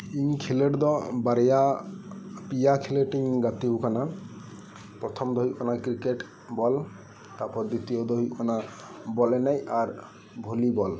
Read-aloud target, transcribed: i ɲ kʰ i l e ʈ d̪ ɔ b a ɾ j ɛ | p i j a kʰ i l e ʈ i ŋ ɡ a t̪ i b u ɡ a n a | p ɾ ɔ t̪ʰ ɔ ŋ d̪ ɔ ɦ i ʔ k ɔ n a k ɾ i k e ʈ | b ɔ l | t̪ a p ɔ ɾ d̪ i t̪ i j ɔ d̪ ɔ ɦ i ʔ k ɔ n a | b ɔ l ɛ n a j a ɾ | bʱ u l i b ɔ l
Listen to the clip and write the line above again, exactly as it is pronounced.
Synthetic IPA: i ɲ kʰ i l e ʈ d̪ ɔ b a ɾ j a | p i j a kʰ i l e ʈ i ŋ ɡ a t̪ i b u k a n a | p ɾ ɔ t̪ʰ ɔ m d̪ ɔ ɦ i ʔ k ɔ n a k ɾ i k e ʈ | b ɔ l | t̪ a p ɔ ɾ d̪ i t̪ i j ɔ d̪ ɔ ɦ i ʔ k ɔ n a | b ɔ l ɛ n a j a ɾ | bʱ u l i b ɔ l